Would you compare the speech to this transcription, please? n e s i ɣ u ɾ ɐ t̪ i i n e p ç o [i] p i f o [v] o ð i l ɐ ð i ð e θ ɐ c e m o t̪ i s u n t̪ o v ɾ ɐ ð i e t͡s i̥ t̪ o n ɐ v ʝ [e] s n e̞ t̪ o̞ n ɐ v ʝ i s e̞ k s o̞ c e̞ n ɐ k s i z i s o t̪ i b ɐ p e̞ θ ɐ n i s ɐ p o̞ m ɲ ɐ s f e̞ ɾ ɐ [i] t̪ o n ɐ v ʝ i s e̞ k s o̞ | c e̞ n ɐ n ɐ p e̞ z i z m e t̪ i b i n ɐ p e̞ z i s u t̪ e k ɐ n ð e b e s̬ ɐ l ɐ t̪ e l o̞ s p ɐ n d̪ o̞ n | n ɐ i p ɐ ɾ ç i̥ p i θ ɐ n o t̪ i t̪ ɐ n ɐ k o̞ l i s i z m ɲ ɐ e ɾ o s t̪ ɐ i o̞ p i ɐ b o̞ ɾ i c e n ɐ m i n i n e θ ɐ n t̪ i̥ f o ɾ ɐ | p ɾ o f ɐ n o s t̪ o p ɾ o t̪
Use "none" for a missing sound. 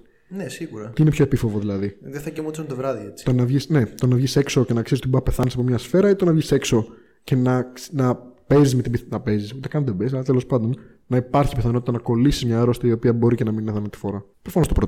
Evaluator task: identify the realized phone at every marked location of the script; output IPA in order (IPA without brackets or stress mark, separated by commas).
e, v, i, i